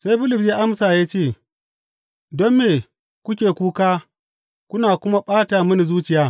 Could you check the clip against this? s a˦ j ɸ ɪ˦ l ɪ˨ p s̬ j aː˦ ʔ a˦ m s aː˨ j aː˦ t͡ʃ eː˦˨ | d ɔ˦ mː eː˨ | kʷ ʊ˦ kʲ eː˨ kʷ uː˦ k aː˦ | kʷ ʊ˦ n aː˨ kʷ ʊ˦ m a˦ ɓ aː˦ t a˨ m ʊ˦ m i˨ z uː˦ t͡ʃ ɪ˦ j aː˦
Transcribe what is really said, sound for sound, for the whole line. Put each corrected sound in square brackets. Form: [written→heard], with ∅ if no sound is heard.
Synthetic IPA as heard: s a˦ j ɸ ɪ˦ l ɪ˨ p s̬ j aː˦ ʔ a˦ m s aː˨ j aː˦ t͡ʃ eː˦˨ | d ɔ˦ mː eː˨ | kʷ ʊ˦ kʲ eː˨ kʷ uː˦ k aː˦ | kʷ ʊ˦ n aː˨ kʷ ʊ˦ m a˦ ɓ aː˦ t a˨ m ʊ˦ [m→n] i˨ z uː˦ t͡ʃ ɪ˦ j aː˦